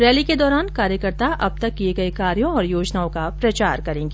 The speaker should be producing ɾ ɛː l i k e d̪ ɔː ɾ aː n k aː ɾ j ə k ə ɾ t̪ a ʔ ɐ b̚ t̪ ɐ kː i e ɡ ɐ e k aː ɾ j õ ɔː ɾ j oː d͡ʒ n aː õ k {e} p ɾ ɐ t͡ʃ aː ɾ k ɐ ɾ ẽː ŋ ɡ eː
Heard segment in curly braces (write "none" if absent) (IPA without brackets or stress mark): a